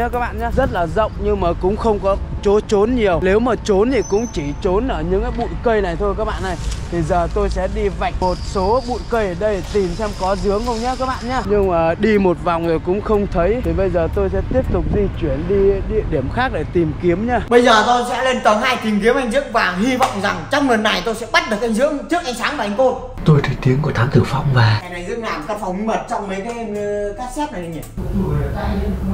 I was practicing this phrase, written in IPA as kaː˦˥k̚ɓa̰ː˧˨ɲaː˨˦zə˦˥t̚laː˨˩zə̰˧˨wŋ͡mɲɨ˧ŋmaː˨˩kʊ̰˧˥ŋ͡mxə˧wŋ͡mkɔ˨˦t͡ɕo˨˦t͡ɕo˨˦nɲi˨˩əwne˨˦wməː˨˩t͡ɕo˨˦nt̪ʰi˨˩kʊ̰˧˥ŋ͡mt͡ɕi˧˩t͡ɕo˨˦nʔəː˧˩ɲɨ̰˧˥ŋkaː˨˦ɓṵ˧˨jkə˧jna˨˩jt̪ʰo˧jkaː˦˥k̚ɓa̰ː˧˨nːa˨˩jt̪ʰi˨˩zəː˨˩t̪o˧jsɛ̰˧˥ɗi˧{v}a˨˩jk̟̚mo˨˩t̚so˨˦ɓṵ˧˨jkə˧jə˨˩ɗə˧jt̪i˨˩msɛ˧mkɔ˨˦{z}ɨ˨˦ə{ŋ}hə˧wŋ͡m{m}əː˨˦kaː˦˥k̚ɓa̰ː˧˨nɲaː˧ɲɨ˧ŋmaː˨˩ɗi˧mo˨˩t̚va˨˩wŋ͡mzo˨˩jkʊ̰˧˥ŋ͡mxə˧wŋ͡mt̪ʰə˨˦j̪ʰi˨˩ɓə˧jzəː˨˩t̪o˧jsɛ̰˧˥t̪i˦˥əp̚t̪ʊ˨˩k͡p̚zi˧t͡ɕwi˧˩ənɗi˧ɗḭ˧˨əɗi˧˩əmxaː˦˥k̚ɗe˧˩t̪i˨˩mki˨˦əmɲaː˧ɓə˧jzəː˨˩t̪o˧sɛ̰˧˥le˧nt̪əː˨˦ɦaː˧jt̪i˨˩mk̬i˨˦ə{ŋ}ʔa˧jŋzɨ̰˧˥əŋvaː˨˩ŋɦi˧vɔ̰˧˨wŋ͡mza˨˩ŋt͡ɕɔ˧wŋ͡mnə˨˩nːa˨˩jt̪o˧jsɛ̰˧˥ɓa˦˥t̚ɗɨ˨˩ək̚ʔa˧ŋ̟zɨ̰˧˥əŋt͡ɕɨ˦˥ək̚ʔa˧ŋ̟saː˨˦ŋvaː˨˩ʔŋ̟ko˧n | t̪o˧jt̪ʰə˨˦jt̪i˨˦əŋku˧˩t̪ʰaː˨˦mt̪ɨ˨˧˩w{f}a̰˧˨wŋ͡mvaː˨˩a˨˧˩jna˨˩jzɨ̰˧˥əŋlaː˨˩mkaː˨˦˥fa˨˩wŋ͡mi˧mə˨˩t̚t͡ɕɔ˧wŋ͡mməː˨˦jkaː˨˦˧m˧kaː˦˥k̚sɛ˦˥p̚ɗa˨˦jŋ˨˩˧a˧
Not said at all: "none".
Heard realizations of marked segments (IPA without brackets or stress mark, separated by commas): v, z, ŋ, ɲ, m, f